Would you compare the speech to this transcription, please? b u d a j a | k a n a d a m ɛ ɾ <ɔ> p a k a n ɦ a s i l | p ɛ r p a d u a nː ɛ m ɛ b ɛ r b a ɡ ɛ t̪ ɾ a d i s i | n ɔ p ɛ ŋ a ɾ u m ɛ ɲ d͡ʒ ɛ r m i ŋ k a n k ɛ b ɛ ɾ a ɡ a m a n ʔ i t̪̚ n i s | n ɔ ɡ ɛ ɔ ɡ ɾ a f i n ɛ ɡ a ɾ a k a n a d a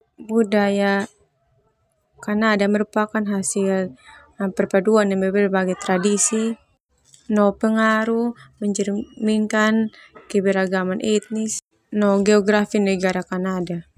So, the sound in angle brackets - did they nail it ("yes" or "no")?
no